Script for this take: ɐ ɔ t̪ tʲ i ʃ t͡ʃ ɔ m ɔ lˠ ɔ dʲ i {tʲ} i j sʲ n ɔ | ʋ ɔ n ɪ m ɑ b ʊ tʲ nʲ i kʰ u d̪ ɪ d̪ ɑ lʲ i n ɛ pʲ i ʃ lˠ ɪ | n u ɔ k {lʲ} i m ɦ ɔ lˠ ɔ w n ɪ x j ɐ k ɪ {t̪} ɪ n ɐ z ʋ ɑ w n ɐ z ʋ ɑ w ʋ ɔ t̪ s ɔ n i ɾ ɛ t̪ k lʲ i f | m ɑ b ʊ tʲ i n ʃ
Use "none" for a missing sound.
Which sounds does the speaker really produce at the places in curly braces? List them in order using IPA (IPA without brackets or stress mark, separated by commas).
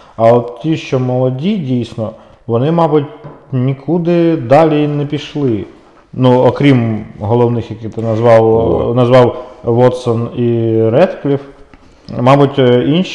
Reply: dʲ, ɾʲ, t̪